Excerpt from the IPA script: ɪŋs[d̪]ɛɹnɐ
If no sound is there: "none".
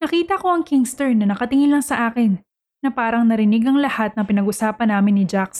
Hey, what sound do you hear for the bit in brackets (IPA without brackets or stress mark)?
t̪